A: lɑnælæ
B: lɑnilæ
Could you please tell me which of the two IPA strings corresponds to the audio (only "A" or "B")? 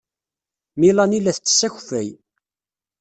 B